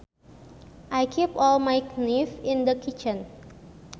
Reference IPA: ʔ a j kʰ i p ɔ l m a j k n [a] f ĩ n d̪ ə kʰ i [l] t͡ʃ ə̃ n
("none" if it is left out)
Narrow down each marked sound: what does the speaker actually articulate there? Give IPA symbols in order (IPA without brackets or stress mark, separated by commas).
i, none